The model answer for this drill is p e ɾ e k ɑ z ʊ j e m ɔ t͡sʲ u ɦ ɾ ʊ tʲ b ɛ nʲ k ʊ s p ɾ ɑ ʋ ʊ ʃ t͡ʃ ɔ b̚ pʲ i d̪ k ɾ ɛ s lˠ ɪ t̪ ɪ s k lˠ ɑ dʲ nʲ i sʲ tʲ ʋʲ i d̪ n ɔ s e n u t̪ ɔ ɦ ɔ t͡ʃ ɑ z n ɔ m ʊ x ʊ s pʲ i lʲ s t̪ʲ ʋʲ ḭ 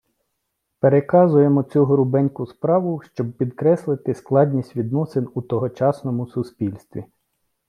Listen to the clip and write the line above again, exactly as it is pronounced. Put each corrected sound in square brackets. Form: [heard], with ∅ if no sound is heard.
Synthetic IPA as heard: p e ɾ e k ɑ z ʊ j e m ɔ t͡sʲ u ɦ ɾ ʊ [∅] b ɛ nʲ k ʊ s p ɾ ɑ ʋ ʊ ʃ t͡ʃ ɔ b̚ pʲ i d̪ k ɾ ɛ s lˠ ɪ t̪ ɪ s k lˠ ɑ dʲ nʲ i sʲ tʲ ʋʲ i d̪ n ɔ s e n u t̪ ɔ ɦ ɔ t͡ʃ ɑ [s] n ɔ m ʊ [s] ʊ s pʲ i lʲ s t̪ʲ ʋʲ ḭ